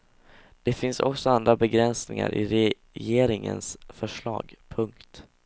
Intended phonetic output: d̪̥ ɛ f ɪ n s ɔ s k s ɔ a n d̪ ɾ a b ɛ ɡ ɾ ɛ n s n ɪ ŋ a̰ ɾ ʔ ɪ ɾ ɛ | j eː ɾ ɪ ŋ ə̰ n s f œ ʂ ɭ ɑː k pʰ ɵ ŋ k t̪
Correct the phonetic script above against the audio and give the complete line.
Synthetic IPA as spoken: d̪̥ ɛ f ɪ n s ɔ k s ɔ a n d̪ ɾ a b ɛ ɡ ɾ ɛ n s n ɪ ŋ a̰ ɾ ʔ ɪ ɾ ɛ | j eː ɾ ɪ ŋ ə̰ n s f œ ʂ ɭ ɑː ɡ pʰ ɵ ŋ k t̪